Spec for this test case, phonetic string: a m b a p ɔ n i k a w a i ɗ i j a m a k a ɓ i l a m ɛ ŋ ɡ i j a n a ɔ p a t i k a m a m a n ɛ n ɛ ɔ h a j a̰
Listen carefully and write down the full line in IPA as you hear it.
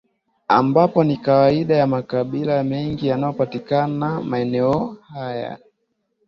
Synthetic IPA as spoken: a m b a p ɔ n i k a w a i ɗ a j a m a k a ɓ i l a m ɛ ŋ ɡ i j a n a ɔ p a t i k a n a m a ɛ n ɛ ɔ h a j a̰

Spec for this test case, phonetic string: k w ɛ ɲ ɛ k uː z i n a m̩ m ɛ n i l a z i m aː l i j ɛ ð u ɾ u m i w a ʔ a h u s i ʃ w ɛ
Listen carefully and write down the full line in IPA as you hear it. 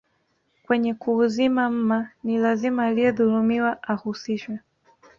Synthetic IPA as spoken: k w ɛ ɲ ɛ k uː z i m a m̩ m a n i l a z i m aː l i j ɛ ð u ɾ u m i w a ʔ a h u s i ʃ w ɛ

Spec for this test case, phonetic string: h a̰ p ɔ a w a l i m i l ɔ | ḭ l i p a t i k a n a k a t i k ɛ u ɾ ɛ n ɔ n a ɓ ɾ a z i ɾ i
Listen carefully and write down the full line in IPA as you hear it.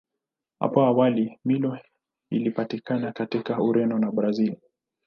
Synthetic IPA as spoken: h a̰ p ɔ a w a l i m i l ɔ | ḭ l i p a t i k a n a k a t i k a u ɾ ɛ n ɔ n a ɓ ɾ a z i l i

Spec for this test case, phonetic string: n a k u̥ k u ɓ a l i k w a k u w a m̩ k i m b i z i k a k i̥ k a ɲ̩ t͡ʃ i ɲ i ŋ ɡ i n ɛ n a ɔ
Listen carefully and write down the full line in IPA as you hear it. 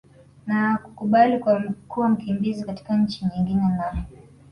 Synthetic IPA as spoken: n a k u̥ k u ɓ a l i k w a k u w a m̩ k i m b i z i k a t i̥ k a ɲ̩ t͡ʃ i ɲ i ŋ ɡ i n ɛ n a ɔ

